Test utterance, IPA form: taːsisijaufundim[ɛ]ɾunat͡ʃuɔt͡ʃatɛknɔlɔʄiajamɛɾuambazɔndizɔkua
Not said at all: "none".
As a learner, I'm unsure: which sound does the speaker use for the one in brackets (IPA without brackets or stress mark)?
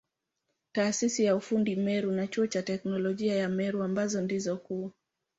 ɛ